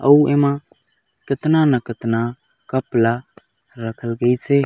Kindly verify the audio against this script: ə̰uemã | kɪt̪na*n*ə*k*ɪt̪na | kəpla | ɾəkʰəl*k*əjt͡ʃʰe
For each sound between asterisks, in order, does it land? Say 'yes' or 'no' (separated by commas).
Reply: yes, yes, no